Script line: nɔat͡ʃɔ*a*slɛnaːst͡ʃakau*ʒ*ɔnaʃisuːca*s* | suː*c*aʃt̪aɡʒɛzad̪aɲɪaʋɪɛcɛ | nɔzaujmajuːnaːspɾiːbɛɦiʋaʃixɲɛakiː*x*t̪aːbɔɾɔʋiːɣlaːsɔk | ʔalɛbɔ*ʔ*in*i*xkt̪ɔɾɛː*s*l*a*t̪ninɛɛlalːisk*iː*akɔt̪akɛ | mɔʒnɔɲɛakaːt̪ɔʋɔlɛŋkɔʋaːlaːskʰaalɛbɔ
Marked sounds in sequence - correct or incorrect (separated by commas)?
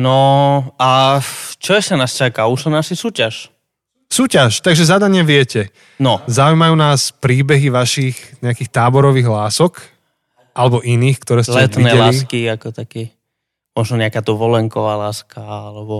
incorrect, incorrect, incorrect, correct, correct, correct, incorrect, correct, incorrect, incorrect